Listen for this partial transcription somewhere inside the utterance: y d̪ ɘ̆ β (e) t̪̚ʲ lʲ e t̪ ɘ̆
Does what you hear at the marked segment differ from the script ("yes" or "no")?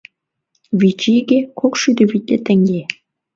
yes